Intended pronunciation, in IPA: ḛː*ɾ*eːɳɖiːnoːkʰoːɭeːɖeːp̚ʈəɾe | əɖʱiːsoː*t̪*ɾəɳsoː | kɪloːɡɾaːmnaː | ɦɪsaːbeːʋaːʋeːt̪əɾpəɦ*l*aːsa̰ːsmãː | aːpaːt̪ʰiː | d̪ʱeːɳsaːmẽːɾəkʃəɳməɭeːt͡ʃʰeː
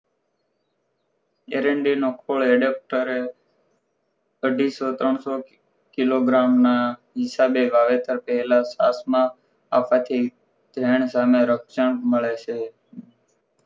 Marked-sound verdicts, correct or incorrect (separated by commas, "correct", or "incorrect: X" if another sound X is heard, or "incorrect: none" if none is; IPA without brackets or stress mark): correct, correct, correct